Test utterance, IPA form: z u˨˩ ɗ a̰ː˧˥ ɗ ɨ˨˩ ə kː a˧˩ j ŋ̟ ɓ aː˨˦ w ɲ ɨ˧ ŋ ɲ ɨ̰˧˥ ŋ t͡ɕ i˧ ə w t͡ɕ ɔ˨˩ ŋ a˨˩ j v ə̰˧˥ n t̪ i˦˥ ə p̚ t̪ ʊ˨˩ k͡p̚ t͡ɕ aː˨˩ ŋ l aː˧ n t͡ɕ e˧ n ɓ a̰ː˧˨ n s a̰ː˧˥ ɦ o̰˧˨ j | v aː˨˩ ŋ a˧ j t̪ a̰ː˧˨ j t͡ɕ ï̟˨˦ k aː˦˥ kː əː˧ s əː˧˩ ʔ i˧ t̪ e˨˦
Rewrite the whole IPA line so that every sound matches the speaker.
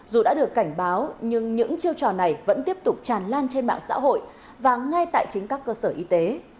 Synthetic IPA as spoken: z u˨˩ ɗ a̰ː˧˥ ɗ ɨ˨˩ ə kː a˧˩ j ŋ̟ ɓ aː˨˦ w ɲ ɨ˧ ŋ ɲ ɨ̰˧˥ ŋ t͡ɕ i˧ ə w t͡ɕ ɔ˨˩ n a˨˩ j v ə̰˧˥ n t̪ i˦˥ ə p̚ t̪ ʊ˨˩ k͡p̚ t͡ɕ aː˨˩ n l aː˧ n t͡ɕ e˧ n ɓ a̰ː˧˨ ŋ s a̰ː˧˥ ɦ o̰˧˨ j | v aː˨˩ ŋ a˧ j t̪ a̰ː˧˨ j t͡ɕ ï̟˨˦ k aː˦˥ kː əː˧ s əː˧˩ ʔ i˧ t̪ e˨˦